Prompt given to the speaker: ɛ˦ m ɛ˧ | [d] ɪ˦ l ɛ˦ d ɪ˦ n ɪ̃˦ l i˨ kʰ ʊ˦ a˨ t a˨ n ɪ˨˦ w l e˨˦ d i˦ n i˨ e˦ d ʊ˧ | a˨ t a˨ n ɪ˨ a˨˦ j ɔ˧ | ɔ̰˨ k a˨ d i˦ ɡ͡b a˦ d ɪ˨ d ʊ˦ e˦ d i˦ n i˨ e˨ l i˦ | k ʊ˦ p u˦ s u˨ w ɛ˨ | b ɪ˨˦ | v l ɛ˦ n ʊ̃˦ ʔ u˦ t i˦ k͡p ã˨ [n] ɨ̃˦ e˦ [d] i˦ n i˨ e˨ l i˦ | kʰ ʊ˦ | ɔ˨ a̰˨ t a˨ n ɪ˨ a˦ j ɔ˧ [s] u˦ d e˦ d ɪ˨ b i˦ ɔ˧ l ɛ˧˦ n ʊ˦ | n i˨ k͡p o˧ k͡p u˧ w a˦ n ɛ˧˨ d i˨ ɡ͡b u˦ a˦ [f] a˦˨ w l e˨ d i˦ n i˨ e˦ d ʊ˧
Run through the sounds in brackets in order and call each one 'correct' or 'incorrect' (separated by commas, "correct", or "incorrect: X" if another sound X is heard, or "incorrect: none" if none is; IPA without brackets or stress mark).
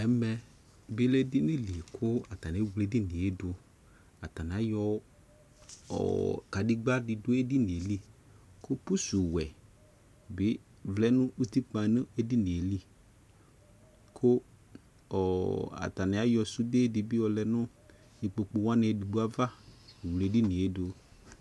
incorrect: b, correct, correct, correct, incorrect: v